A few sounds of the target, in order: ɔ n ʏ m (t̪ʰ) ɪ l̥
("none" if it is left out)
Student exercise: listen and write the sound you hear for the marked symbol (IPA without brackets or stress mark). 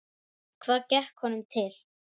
t̪ʰ